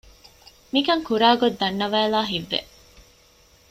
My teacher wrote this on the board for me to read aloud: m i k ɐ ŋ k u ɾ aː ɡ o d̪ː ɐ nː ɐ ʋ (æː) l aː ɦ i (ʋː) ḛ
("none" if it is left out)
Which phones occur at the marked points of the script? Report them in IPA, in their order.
æː, ʋː

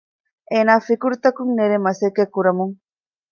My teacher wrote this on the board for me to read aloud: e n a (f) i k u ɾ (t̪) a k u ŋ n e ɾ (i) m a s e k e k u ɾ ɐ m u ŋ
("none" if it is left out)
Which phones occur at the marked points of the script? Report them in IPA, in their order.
f, t̪, e

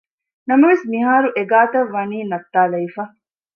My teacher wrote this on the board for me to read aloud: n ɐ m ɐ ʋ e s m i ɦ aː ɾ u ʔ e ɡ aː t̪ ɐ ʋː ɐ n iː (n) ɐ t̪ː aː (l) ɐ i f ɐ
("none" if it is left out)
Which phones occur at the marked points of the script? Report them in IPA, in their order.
n, l

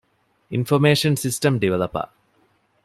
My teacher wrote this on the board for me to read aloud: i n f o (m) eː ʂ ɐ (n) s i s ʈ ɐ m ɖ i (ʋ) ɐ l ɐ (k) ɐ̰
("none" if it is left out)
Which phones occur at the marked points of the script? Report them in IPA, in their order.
m, n, ʋ, p

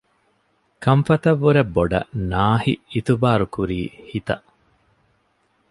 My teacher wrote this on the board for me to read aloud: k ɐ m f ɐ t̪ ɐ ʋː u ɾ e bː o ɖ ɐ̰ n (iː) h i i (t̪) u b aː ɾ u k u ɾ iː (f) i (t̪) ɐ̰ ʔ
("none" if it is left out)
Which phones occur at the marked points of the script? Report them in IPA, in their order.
aː, t̪, h, t̪

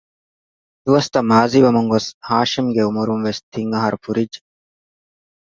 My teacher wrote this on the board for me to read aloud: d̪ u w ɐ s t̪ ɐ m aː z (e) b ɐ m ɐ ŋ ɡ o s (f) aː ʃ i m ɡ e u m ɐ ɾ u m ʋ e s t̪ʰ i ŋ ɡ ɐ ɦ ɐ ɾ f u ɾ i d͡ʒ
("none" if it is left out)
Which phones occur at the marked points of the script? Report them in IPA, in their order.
i, h

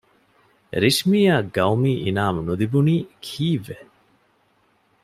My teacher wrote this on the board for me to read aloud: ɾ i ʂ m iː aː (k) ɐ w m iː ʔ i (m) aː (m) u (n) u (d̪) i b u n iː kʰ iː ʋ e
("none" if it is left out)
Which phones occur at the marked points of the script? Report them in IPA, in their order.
ɡ, n, m, n, d̪

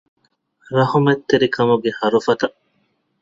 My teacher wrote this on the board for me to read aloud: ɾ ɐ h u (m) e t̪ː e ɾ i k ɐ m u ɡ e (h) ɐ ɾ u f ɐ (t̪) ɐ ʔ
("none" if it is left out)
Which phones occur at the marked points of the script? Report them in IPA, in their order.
m, h, t̪

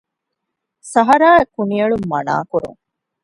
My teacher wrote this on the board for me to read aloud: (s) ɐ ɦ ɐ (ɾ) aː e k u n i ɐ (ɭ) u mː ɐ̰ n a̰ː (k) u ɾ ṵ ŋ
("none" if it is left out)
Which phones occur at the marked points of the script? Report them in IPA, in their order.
s, ɾ, ɭ, k

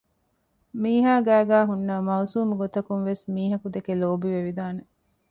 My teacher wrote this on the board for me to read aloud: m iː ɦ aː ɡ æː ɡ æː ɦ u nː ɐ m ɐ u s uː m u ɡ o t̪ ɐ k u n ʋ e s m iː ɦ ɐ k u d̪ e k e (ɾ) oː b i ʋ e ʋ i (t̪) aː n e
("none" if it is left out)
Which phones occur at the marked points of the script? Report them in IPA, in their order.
l, d̪

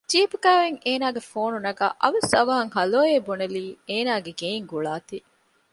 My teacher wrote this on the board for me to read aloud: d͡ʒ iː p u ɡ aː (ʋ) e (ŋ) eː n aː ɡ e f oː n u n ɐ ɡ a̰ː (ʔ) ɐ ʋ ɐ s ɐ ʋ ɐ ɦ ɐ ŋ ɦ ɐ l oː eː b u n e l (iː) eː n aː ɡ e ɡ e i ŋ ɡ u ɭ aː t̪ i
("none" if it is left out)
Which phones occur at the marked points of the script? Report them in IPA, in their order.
ʋ, ŋ, ʔ, iː

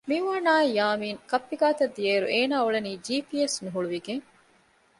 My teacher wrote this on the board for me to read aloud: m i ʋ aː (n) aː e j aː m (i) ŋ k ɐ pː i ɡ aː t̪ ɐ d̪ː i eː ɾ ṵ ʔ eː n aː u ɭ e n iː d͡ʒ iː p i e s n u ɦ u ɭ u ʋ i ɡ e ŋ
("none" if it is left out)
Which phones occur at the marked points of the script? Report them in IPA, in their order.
n, iː

